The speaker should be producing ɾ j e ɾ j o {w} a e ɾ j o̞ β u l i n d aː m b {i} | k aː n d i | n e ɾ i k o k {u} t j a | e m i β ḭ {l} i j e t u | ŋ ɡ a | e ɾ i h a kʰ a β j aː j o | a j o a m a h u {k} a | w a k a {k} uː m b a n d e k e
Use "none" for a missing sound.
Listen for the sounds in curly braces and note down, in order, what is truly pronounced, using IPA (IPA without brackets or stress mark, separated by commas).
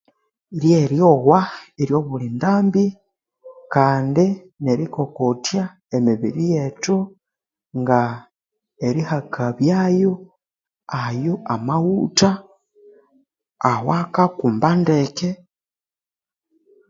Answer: w, i, o, ɾ, t, k